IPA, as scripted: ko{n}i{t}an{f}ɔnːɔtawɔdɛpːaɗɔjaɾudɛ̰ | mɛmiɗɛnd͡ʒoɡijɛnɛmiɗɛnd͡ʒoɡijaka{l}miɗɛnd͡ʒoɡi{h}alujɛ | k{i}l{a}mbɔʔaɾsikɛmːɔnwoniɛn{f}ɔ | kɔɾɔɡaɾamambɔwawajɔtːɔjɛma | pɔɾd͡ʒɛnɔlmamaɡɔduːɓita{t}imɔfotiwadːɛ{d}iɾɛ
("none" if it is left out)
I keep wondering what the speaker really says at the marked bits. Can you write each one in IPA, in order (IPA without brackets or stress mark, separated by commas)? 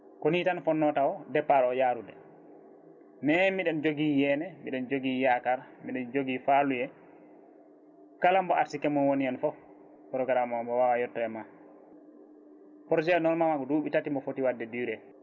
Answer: n, t, f, ɾ, f, a, a, f, t, d